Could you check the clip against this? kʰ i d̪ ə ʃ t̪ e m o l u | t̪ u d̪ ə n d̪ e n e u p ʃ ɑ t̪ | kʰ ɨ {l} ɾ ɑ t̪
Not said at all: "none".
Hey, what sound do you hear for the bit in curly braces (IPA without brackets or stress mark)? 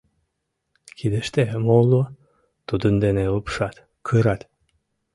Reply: none